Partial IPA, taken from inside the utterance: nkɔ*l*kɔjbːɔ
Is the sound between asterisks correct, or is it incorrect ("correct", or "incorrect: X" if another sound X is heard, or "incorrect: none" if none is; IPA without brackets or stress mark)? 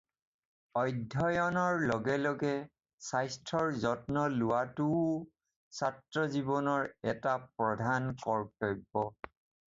incorrect: ɹ